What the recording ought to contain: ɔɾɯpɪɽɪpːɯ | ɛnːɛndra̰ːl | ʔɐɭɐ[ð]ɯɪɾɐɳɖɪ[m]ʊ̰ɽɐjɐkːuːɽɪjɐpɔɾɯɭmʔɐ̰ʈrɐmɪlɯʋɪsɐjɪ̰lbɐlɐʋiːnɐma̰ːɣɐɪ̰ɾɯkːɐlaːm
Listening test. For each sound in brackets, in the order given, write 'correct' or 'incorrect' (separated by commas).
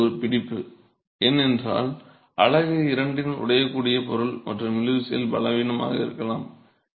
incorrect, incorrect